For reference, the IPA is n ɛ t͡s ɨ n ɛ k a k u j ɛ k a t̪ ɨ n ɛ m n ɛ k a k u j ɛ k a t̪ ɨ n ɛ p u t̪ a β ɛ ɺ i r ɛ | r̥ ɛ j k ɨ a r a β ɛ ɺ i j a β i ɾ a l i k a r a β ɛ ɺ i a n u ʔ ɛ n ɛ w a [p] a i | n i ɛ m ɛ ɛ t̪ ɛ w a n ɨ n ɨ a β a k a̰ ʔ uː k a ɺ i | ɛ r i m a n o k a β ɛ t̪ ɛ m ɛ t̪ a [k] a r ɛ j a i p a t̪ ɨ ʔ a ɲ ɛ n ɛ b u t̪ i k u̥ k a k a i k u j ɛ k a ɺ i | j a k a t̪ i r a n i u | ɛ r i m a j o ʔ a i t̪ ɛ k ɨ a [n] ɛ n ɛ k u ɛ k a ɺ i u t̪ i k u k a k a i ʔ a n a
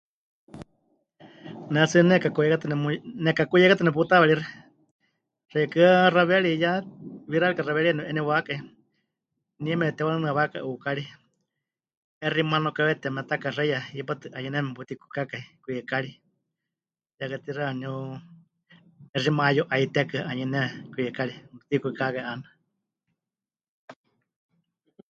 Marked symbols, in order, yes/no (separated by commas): no, yes, no